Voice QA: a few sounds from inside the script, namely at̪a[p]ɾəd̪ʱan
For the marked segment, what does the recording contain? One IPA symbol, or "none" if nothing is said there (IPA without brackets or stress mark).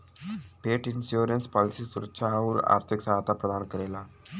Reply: p